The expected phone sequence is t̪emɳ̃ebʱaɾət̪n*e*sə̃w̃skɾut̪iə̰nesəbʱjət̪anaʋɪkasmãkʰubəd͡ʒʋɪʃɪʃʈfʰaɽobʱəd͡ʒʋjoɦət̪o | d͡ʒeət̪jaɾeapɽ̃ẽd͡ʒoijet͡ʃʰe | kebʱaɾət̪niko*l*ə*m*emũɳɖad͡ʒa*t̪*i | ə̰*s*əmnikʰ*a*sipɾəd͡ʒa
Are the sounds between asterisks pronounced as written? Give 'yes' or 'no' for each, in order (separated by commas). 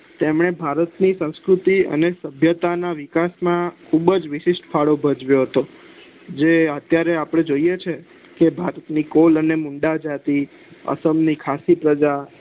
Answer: no, yes, no, yes, yes, yes